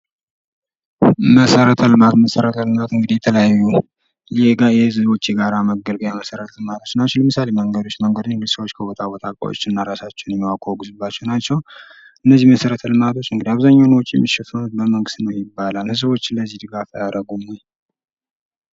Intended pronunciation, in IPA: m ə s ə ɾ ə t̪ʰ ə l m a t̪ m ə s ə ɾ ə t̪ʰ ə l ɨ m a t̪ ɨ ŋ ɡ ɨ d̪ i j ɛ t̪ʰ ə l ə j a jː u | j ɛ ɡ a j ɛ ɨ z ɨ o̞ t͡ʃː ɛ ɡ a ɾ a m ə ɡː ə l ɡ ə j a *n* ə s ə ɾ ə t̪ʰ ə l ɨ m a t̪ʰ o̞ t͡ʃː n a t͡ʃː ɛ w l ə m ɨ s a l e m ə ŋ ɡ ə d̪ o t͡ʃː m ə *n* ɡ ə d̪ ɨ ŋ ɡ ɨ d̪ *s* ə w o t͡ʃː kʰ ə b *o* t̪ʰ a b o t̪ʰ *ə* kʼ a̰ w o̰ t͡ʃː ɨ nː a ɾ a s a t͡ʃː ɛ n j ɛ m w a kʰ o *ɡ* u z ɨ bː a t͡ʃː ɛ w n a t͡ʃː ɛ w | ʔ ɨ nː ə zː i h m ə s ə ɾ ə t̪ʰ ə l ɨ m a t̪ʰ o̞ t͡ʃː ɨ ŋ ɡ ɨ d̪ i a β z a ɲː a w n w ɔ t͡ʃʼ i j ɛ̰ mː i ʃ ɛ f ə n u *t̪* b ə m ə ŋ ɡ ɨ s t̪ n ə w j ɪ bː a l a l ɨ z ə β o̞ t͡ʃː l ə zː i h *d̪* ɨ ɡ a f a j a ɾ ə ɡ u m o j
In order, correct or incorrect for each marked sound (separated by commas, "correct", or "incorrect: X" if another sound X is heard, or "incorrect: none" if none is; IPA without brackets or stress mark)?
incorrect: m, incorrect: ŋ, correct, correct, incorrect: a, correct, correct, correct